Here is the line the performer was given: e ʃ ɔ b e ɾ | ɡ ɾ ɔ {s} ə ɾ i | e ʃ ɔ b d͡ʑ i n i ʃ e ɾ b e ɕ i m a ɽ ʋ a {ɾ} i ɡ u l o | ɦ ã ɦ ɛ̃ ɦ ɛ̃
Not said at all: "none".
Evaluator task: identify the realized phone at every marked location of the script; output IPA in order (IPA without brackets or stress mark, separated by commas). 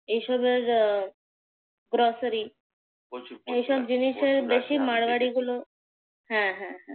s, ɽ